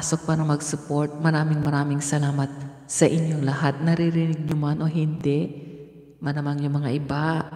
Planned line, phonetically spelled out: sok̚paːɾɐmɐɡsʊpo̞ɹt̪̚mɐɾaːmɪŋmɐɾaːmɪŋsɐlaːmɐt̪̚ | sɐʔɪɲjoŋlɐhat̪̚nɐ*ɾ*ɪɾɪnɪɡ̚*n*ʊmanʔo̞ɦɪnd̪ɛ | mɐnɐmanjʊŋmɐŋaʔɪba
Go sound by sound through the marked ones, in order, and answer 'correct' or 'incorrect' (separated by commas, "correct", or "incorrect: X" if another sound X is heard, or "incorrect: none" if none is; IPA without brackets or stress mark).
correct, incorrect: ɲ